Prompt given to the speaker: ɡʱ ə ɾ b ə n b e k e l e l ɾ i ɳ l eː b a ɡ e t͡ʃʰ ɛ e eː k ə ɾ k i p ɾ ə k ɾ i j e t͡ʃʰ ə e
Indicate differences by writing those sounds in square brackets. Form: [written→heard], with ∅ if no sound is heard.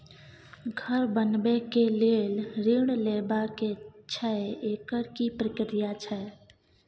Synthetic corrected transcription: ɡʱ ə ɾ b ə n b e k e l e l ɾ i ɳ l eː b a [ɡ→k] e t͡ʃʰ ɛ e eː k ə ɾ k i p ɾ ə k ɾ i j [e→a] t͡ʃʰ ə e